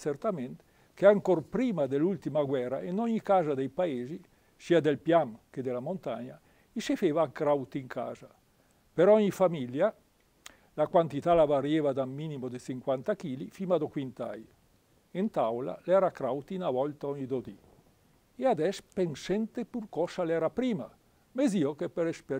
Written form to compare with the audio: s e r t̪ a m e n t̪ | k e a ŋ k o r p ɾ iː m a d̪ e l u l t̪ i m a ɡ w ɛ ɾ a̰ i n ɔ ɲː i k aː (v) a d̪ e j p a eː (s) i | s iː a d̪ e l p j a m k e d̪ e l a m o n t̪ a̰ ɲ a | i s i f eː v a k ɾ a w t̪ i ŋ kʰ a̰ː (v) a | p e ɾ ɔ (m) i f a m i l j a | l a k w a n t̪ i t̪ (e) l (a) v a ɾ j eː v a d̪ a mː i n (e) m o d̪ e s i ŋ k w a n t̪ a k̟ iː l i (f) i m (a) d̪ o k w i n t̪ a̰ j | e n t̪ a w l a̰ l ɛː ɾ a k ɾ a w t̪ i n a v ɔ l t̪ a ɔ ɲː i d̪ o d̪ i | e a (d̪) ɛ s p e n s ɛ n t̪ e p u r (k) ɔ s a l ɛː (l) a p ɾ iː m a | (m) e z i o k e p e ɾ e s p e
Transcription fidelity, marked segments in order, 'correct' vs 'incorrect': incorrect: z, incorrect: z, incorrect: z, incorrect: ɲ, incorrect: a, correct, incorrect: i, correct, correct, correct, correct, incorrect: ɾ, correct

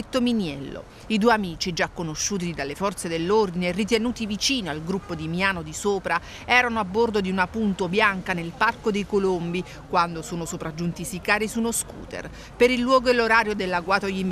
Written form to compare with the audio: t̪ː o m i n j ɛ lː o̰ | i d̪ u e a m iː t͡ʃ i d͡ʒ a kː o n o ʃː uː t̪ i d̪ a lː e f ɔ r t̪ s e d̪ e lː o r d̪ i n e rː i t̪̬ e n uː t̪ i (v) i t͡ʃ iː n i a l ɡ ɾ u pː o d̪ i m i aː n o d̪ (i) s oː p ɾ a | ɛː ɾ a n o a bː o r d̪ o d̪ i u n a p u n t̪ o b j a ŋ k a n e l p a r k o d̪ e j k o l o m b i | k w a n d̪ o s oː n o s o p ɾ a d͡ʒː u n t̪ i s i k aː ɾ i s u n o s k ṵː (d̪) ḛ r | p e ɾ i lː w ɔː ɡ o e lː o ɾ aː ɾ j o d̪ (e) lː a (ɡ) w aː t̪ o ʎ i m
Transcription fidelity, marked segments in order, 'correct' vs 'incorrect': correct, correct, incorrect: t̪, correct, correct

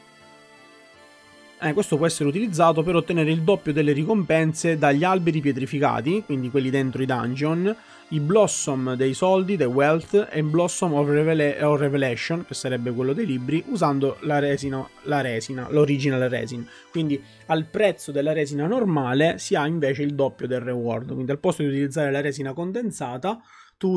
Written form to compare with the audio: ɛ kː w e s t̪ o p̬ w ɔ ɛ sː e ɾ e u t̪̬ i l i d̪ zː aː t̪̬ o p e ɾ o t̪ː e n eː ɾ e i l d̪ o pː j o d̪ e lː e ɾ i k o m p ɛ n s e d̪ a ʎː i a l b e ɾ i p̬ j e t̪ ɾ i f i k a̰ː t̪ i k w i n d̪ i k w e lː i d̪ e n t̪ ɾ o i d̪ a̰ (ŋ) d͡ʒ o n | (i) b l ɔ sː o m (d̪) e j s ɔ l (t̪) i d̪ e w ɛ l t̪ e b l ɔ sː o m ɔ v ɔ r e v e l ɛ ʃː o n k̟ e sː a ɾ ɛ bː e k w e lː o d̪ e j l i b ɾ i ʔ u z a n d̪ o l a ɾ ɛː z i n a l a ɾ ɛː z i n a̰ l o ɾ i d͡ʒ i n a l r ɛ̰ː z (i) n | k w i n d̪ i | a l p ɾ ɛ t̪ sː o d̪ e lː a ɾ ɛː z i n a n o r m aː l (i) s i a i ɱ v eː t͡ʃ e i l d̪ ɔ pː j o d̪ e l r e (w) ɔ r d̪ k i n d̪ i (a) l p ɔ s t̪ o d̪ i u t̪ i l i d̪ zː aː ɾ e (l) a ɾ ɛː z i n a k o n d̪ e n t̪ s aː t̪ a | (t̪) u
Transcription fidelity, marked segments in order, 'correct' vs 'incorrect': incorrect: n, correct, correct, incorrect: d̪, correct, incorrect: e, correct, correct, correct, correct

